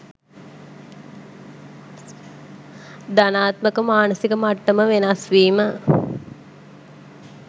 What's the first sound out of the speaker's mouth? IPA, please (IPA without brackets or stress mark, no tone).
d̪